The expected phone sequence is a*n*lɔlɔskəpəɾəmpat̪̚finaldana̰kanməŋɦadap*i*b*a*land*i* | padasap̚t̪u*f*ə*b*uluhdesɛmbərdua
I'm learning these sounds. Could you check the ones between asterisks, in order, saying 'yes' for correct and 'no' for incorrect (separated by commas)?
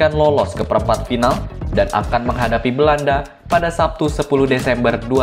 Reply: yes, yes, no, no, no, no